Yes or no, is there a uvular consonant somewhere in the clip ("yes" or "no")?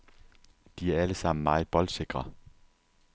yes